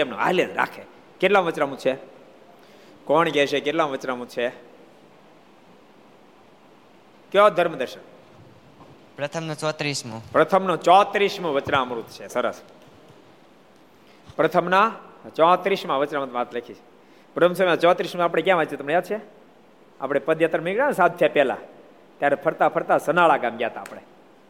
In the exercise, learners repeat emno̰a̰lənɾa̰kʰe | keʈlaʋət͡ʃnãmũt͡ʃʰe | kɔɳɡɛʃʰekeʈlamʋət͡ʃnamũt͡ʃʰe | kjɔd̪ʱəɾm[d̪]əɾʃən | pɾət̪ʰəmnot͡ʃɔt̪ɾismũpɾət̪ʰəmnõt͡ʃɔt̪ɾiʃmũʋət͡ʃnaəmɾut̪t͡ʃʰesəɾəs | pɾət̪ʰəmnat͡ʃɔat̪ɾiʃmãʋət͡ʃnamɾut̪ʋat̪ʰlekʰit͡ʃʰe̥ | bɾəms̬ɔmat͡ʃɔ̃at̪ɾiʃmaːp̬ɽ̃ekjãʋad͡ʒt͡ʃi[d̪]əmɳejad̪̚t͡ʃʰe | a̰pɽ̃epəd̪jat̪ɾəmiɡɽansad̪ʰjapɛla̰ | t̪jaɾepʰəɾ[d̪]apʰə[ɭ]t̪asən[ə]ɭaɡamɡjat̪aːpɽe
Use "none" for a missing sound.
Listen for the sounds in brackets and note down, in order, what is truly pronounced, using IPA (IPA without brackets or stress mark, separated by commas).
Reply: d̪, t̪, t̪, ɾ, a